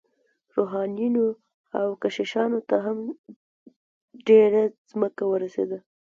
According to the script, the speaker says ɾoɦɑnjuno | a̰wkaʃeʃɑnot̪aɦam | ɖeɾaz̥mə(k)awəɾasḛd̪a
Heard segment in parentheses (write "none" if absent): k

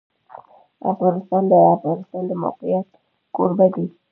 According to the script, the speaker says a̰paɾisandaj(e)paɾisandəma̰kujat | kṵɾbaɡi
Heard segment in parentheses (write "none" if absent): a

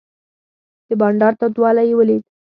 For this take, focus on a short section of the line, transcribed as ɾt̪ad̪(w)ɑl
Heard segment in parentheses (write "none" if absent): w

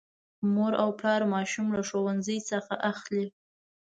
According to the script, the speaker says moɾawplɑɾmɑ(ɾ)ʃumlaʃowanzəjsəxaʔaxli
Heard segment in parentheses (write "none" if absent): none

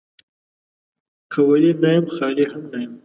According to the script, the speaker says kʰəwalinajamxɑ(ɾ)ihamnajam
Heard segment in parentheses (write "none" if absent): l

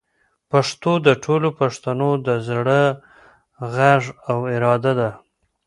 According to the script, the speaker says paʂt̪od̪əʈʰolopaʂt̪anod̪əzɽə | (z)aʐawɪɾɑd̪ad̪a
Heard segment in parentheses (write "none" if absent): ɣ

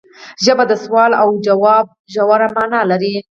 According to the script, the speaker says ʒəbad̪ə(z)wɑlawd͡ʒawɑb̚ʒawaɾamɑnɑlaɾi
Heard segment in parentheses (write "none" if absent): s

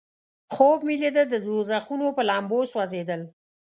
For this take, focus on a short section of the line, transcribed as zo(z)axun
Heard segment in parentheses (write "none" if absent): z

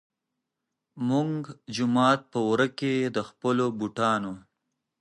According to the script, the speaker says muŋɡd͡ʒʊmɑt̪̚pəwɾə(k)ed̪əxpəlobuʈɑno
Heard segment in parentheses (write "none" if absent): k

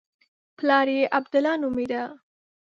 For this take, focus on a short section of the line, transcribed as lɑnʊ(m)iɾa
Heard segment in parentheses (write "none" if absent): m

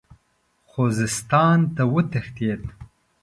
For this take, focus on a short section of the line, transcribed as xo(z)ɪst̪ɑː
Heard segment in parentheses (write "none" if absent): z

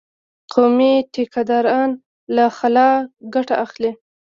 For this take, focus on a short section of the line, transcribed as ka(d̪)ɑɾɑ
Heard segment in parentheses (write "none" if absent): d̪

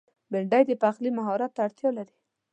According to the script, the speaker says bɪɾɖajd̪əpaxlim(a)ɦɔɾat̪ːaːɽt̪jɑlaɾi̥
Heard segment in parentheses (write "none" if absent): a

